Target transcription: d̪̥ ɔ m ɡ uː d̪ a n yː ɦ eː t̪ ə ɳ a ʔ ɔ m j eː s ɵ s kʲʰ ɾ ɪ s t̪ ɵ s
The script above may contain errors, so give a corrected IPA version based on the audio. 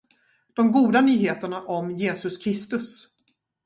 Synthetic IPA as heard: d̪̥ ɔ m ɡ uː d̪ a n yː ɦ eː t̪ ə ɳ a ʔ ɔ m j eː s ɵ s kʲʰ ɾ ɪ s t̪ ɵ s